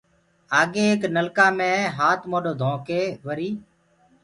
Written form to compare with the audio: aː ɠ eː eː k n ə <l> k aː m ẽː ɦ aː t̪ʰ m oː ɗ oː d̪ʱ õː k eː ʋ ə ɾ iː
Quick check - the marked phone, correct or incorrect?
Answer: correct